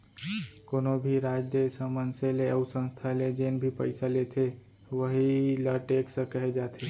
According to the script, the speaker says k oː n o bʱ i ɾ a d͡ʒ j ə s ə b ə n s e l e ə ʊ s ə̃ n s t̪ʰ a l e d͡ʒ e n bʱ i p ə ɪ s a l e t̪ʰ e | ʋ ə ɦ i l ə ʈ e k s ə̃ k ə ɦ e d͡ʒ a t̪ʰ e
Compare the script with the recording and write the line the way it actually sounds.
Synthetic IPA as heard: k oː n o bʱ i ɾ a d͡ʒ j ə s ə m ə n s e l e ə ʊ s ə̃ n s t̪ʰ a l e d͡ʒ e n bʱ i p ə ɪ s a l e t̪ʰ e | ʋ ə ɦ i l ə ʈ e k s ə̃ k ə ɦ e d͡ʒ a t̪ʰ e